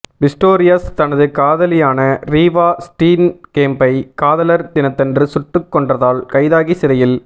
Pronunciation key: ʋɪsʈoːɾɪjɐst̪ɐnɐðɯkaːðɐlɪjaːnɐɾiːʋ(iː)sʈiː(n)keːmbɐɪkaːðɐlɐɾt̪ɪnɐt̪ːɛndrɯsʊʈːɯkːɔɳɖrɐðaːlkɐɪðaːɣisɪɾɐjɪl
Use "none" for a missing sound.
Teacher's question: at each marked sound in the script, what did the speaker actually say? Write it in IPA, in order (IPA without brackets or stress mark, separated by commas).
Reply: aː, n